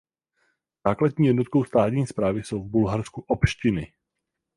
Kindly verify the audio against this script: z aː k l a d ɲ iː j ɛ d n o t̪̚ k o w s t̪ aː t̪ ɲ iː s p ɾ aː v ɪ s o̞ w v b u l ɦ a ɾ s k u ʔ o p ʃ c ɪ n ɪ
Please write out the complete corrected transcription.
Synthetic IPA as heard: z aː k l a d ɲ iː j ɛ d n o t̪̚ k o w s t̪ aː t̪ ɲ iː s p ɾ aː v ɪ s o̞ w v b u l ɦ a ɾ s k u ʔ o p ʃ c ɪ n ɪ